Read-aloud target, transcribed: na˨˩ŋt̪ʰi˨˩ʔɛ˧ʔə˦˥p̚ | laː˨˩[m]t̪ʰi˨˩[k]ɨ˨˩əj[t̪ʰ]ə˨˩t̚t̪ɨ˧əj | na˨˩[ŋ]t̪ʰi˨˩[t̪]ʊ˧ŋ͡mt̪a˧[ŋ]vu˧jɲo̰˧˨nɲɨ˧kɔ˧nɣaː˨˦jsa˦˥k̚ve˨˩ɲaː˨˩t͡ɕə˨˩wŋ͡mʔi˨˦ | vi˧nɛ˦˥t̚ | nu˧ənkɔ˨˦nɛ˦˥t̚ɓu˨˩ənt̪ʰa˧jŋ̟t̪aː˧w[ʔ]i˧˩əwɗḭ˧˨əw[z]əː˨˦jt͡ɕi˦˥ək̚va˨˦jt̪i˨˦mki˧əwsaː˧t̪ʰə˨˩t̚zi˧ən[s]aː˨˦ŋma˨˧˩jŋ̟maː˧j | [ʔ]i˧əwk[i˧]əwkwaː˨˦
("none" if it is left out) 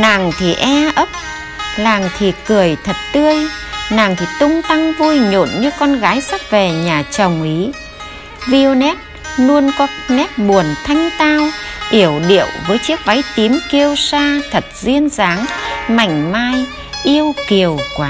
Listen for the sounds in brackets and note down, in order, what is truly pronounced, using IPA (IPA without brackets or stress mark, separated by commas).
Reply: ŋ, k, t̪ʰ, ŋ, t̪, ŋ, ʔ, v, z, ʔ, i˨˩